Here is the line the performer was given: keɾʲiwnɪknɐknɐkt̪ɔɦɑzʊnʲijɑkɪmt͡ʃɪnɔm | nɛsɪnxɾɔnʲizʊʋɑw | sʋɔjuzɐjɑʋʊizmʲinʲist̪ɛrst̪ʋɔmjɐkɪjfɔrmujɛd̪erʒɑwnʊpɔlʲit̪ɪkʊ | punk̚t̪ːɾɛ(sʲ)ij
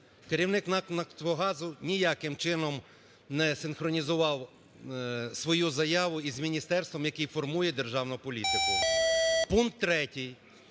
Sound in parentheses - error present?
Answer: yes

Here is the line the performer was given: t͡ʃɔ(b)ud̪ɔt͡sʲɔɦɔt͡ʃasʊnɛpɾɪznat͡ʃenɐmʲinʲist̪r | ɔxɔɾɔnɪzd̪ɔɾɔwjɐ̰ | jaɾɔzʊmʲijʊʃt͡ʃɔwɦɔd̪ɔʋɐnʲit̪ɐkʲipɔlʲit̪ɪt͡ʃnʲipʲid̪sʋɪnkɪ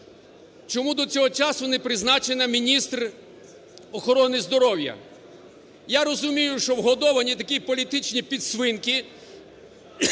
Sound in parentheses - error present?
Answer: yes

